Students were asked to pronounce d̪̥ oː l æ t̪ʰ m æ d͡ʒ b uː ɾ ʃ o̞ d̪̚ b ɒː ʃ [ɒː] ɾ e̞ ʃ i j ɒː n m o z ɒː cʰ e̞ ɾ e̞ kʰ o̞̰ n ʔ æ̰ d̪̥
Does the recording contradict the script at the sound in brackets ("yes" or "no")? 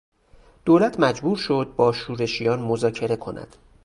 yes